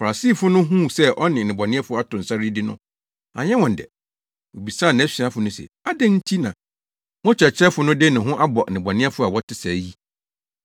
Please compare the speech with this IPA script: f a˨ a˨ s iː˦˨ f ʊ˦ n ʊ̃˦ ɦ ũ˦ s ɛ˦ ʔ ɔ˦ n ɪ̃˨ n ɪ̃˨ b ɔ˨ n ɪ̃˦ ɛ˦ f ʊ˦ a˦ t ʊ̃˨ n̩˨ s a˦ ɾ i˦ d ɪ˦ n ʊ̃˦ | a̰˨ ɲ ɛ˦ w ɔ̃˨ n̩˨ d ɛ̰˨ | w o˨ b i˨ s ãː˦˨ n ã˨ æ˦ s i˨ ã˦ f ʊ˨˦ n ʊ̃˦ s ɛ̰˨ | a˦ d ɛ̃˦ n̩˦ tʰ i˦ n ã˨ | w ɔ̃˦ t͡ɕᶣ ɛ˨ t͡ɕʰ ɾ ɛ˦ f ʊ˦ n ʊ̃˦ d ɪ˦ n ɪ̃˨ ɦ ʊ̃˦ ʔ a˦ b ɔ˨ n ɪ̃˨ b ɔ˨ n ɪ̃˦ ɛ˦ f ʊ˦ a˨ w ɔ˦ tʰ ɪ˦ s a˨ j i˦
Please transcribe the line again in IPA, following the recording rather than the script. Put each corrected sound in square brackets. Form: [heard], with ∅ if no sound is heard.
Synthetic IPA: f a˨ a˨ s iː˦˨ f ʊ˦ n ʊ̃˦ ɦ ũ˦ s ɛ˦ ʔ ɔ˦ n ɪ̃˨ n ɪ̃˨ b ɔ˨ n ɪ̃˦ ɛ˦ f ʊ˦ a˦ t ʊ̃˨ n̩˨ s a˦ ɾ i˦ d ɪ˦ n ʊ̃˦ | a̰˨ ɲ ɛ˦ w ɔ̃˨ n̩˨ d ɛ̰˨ | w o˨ b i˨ s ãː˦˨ n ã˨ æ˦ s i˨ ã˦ f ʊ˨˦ n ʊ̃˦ s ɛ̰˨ | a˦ d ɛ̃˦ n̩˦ tʰ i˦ n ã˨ | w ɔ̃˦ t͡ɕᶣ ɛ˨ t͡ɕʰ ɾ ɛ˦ f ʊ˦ n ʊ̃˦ d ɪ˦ n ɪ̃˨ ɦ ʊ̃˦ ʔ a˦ b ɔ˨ n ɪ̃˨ b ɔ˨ n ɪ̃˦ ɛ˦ f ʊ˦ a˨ w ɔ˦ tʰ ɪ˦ s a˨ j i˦